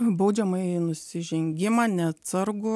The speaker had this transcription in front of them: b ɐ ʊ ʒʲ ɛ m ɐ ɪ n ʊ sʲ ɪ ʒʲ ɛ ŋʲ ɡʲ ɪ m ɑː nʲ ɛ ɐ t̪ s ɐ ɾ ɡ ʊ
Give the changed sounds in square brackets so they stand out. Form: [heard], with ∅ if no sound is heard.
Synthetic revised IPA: b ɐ ʊ [d͡ʒʲ] ɛ m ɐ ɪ n ʊ sʲ ɪ ʒʲ ɛ ŋʲ ɡʲ ɪ m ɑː nʲ ɛ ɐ t̪ s ɐ ɾ ɡ ʊ